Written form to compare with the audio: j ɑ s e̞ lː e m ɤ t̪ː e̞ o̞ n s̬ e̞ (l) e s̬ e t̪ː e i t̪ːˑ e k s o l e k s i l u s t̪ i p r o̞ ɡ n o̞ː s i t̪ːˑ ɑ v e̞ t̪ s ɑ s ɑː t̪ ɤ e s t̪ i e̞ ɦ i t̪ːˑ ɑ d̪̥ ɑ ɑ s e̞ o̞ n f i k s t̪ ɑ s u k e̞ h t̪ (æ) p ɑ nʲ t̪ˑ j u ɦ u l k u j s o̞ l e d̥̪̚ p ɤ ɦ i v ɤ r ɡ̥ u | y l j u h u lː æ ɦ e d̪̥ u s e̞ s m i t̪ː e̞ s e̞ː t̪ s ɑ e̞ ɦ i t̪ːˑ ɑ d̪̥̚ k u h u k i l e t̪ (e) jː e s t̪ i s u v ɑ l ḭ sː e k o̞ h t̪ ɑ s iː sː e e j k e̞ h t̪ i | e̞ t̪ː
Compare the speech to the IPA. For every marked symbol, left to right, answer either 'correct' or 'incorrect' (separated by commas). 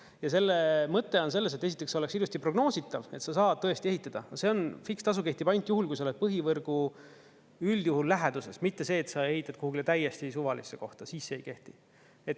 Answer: incorrect, incorrect, incorrect